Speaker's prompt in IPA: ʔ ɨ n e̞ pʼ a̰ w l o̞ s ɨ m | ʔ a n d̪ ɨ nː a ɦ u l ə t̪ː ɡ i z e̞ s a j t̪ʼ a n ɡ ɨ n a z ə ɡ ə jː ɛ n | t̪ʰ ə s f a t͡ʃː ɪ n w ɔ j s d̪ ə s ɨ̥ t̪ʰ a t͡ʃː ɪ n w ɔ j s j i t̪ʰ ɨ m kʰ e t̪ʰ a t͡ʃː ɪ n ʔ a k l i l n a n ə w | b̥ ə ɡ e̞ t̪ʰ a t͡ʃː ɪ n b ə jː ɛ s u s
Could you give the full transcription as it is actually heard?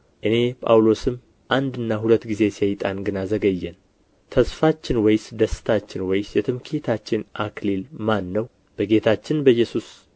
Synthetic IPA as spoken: ʔ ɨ n e̞ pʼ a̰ w l o̞ s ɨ m | ʔ a n d̪ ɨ nː a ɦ u l ə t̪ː ɡ i z e̞ s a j t̪ʼ a n ɡ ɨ n a z ə ɡ ə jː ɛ n | t̪ʰ ə s f a t͡ʃː ɪ n w ɔ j s d̪ ə s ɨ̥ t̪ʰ a t͡ʃː ɪ n w ɔ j s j ɛ t̪ʰ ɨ m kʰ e t̪ʰ a t͡ʃː ɪ n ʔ a k l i l m a nː ə w | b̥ ə ɡ e̞ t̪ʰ a t͡ʃː ɪ n b ə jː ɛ s u s